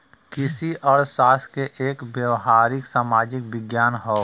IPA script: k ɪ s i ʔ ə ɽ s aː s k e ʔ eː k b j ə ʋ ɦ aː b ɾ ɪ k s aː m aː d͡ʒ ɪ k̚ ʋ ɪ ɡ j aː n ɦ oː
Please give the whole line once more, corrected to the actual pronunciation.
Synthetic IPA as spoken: k ɪ s i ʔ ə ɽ s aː s k e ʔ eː k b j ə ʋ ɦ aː ɾ ɪ k s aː m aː d͡ʒ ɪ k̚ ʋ ɪ ɡ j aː n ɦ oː

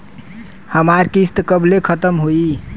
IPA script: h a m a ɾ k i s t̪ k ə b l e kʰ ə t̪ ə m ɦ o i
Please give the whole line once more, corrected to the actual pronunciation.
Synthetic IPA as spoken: h ə m a ɾ k i s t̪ k ə b l e kʰ ə t̪ ə m ɦ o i

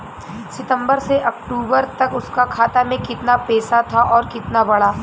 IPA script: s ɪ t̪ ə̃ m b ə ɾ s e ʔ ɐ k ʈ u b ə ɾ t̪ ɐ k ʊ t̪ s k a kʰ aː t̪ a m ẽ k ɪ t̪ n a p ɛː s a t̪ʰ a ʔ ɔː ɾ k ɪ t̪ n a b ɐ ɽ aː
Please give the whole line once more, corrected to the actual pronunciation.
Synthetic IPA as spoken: s ɪ t̪ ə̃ m b ə ɾ s e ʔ ɐ k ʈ uː b ə ɾ t̪ ɐ k ʊ s k a kʰ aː t̪ a m ẽ k ɪ t̪ n a p ɛː s a t̪ʰ a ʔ ɔː ɾ k ɪ t̪ n a b ɐ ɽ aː

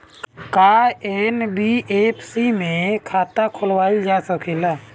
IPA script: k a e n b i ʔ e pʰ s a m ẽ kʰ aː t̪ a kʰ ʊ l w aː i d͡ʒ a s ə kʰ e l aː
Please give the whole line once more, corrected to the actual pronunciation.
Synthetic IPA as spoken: k a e n b i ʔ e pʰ s i m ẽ kʰ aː t̪ a kʰ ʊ l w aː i d͡ʒ a s ə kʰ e l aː

